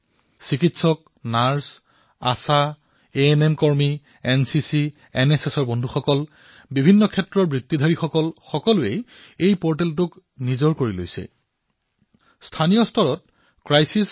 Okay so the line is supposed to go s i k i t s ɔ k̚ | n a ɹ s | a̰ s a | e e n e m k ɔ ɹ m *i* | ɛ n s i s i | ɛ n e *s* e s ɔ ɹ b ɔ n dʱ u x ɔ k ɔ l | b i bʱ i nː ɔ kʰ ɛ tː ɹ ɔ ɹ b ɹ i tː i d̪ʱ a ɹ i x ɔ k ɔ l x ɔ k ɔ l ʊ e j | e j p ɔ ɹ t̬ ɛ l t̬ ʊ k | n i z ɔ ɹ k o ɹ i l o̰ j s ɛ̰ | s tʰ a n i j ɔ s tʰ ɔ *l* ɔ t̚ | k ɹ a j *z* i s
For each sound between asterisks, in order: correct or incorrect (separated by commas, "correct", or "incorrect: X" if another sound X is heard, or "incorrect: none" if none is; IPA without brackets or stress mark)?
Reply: correct, correct, incorrect: ɹ, incorrect: s